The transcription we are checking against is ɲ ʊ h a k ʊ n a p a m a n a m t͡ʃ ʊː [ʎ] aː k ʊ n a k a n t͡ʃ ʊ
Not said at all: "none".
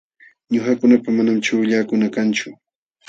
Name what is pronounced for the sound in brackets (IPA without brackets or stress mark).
ʎ